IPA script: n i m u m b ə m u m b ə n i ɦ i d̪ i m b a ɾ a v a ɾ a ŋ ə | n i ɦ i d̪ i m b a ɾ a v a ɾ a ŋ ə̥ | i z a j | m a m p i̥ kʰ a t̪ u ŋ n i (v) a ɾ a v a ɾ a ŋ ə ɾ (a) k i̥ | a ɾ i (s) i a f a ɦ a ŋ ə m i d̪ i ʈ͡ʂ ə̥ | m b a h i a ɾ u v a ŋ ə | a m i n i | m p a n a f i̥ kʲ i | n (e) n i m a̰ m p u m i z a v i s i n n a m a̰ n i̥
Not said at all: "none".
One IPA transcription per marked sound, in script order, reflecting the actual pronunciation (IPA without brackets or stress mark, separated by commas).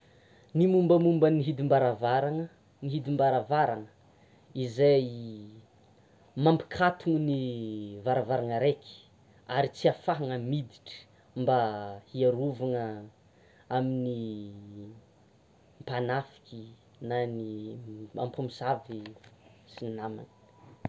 v, e, t͡s, a